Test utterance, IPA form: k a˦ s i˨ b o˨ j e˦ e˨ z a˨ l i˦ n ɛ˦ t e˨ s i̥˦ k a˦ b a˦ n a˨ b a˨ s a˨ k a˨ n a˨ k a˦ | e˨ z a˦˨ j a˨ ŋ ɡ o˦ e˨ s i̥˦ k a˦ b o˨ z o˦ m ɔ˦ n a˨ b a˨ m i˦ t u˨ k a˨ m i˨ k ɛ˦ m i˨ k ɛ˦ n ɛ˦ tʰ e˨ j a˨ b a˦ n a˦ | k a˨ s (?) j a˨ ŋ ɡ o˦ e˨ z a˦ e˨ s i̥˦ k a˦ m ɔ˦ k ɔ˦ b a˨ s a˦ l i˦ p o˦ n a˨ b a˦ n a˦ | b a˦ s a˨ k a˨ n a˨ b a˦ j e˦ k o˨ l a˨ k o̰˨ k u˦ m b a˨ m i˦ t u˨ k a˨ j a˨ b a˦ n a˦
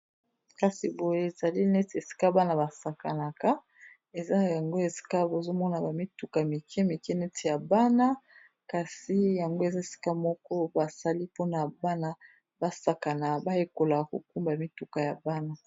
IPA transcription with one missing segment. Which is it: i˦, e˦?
i˦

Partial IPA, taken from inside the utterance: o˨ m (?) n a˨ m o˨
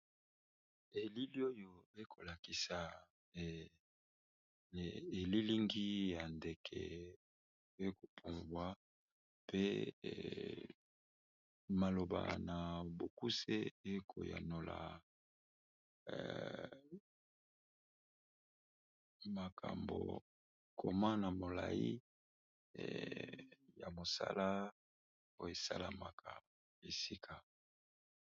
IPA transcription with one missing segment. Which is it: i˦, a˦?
a˦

